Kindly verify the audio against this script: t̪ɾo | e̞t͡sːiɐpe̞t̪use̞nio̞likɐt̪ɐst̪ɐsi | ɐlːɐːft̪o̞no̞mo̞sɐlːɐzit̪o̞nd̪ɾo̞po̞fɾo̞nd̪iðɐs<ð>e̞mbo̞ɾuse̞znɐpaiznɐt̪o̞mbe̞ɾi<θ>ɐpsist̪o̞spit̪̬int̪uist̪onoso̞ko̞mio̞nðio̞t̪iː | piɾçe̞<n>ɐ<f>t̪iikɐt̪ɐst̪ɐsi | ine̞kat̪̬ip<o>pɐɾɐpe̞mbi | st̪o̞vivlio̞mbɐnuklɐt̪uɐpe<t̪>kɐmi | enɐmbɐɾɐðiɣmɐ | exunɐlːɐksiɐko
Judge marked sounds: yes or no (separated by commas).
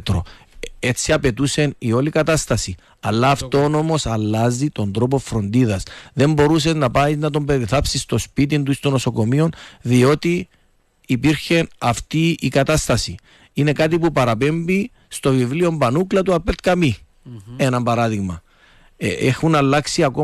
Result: yes, yes, yes, yes, no, yes